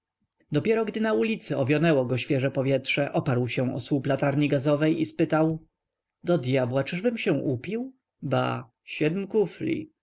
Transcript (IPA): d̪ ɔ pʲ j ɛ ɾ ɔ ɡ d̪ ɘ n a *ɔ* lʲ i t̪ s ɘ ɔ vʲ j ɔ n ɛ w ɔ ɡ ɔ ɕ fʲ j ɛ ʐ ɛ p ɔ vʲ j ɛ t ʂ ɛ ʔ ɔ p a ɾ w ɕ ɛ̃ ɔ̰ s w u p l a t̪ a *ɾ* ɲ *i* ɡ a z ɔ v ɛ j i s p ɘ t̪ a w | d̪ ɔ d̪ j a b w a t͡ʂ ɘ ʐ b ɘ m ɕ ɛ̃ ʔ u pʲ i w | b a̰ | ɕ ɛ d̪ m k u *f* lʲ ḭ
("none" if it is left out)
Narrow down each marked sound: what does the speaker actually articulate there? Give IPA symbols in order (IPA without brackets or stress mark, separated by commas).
u, ɾ, i, f